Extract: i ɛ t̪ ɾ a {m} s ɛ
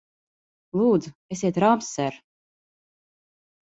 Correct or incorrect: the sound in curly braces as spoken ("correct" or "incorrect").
correct